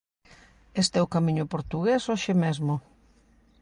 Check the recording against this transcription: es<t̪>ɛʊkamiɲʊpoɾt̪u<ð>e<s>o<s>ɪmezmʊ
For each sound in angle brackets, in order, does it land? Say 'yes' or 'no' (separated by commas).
yes, no, yes, no